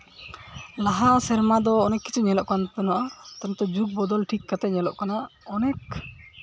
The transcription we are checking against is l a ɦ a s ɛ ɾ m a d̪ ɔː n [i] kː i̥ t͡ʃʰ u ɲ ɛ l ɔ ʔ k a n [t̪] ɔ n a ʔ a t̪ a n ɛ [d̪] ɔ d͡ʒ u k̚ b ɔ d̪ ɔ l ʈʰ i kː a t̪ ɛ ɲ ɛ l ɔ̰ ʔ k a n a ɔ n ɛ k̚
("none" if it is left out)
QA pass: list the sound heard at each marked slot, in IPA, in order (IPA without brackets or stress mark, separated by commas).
ɛ, t̪, t̪